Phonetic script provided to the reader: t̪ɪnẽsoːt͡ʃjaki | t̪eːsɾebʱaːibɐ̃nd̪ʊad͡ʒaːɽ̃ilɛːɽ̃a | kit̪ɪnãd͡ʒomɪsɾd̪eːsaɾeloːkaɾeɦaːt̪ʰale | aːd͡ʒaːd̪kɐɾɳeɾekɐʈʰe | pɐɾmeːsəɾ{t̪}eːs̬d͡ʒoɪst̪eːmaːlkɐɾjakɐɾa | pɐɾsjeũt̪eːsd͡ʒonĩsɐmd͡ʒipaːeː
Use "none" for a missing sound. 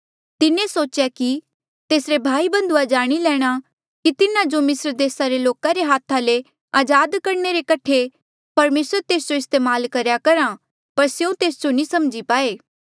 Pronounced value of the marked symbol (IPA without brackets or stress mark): t̪